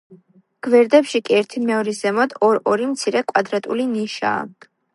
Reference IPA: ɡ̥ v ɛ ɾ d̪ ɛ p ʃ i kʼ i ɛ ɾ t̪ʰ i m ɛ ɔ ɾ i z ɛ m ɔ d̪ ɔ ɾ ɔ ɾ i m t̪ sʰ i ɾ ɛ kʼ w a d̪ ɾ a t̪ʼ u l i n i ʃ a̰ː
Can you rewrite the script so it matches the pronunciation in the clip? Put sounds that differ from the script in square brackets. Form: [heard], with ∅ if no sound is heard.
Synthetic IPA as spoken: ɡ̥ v ɛ ɾ d̪ ɛ p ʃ i kʼ i ɛ ɾ t̪ʰ i m ɛ ɔ ɾ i z ɛ m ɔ d̪ ɔ ɾ ɔ ɾ i m t̪ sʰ i ɾ ɛ kʼ w a d̪ ɾ a t̪ʼ u l i n i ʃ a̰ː